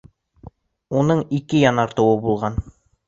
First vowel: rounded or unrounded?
rounded